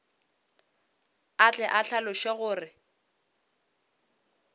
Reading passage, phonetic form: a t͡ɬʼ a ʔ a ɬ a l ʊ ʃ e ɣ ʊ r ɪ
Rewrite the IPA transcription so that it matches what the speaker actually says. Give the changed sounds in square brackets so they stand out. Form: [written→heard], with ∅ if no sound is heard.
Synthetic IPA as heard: a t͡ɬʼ [a→ɛ] ʔ a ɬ a l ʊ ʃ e ɣ [ʊ→ʊː] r ɪ